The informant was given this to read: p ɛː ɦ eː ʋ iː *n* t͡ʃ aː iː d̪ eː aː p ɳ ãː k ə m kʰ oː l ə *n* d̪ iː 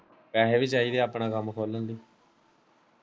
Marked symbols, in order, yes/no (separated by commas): no, yes